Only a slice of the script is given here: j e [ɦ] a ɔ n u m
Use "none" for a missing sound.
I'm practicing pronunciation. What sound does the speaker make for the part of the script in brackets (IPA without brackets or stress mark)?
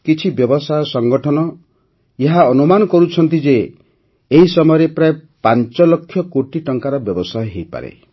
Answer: ɦ